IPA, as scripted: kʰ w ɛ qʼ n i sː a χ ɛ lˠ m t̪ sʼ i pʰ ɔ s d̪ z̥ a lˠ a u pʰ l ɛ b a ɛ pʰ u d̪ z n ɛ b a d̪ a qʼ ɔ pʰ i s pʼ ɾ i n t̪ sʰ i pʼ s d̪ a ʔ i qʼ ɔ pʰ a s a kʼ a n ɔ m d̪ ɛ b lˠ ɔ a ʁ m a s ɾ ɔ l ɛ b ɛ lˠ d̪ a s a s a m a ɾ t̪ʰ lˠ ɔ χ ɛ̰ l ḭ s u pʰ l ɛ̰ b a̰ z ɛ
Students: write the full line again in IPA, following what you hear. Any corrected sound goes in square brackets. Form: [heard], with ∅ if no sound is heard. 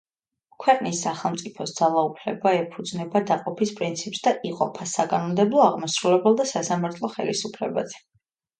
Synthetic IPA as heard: kʰ w ɛ qʼ n i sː a χ ɛ lˠ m t̪ sʼ i pʰ ɔ s d̪ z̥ a lˠ a u pʰ l ɛ b a ɛ pʰ u d̪ z n ɛ b a d̪ a qʼ ɔ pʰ i s pʼ ɾ i n t̪ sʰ i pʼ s d̪ a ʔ i qʼ ɔ pʰ a s a kʼ a n ɔ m d̪ ɛ b lˠ ɔ a ʁ m a s ɾ [u] l ɛ b ɛ lˠ d̪ a s a s a m a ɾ t̪ʰ lˠ ɔ χ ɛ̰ l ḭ s u pʰ l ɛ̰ b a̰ z ɛ